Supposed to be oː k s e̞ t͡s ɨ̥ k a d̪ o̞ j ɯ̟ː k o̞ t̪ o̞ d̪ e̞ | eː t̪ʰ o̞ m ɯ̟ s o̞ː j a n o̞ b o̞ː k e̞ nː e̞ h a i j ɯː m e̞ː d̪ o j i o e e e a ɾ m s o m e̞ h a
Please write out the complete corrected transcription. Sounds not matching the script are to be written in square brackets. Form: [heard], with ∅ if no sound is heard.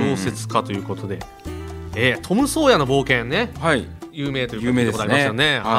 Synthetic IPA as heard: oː [∅] s e̞ t͡s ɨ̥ k a [t̪] o̞ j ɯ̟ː k o̞ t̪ o̞ d̪ e̞ | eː t̪ʰ o̞ m ɯ̟ s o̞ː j a n o̞ b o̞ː k [ẽ̞] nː e̞ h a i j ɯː m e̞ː [t̪] o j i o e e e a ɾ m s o [n] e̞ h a